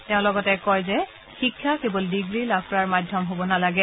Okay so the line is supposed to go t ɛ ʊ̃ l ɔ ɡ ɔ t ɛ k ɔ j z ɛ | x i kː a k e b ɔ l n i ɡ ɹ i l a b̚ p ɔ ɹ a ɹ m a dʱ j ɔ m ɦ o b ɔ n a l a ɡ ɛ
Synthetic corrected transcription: t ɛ ʊ̃ l ɔ ɡ ɔ t ɛ k ɔ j z ɛ | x i kʰː a k e b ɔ l d i ɡ ɹ i l a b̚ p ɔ ɹ a ɹ m a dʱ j ɔ m ɦ o b ɔ n a l a ɡ ɛ